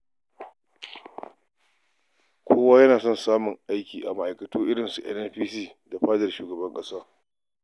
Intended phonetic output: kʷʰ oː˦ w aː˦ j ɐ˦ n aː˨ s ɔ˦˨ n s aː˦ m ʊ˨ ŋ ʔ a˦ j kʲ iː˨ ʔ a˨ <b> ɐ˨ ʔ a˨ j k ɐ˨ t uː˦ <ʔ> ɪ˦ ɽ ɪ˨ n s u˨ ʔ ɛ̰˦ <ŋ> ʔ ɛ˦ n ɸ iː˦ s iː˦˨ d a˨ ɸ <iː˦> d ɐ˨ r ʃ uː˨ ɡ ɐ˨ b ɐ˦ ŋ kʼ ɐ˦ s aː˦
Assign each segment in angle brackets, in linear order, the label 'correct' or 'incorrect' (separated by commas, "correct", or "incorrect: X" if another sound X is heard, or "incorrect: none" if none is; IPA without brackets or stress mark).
incorrect: m, correct, incorrect: n, incorrect: aː˦